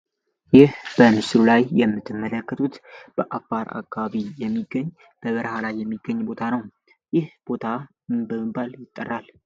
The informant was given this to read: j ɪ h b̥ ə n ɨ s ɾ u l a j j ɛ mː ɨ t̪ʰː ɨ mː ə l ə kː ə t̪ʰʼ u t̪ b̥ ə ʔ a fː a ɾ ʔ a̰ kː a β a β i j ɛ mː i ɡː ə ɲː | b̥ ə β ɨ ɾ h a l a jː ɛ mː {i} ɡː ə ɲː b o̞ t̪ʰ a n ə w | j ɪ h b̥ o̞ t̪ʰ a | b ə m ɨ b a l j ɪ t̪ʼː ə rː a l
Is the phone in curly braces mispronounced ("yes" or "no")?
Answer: no